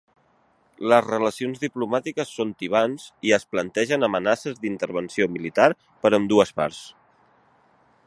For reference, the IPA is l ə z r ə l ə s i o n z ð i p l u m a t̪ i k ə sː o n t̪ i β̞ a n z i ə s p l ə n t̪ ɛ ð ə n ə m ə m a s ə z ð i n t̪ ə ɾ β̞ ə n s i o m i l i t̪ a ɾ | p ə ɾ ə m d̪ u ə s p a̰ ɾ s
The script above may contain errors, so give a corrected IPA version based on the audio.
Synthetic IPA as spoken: l ə z r ə l ə s i o n z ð i p l u m a t̪ i k ə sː o n t̪ i β̞ a n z i ə s p l ə n t̪ ɛ ʒ ə n ə m ə n a s ə z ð i n t̪ ə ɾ β̞ ə n s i o m i l i t̪ a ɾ | p ə ɾ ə m d̪ u ə s p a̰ ɾ s